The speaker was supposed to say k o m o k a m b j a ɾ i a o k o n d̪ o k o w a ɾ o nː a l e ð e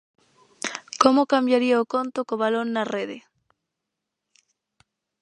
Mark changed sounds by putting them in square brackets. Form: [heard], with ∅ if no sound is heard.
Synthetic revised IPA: k o m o k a m b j a ɾ i a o k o n [t̪] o k o [β] a [l] o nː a [r] e ð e